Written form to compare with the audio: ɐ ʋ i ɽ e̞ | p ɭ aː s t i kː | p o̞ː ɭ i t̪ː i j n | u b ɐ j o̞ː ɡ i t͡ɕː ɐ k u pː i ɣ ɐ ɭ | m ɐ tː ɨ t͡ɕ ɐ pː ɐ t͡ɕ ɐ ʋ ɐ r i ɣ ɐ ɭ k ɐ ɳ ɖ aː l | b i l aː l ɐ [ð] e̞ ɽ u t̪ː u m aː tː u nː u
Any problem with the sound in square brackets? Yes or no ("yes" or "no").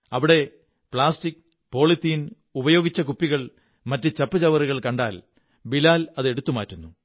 no